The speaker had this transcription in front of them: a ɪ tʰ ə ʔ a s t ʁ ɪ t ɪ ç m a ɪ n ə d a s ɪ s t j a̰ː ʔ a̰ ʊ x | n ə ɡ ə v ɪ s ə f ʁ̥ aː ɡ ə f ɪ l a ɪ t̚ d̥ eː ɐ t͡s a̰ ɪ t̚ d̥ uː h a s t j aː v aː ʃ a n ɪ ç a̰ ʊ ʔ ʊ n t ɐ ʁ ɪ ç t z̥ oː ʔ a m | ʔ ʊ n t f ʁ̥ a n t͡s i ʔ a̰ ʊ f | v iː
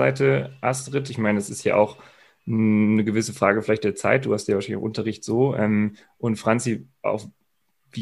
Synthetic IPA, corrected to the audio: a ɪ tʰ ə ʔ a s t ʁ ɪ t ɪ ç m a ɪ n ə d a s ɪ s t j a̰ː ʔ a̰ ʊ x | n ə ɡ ə v ɪ s ə f ʁ̥ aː ɡ ə f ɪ l a ɪ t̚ d̥ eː ɐ t͡s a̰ ɪ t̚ d̥ uː h a s t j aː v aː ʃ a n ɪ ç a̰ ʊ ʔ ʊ n t ɐ ʁ ɪ ç t z̥ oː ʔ ɛ m | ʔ ʊ n t f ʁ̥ a n t͡s i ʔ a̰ ʊ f | v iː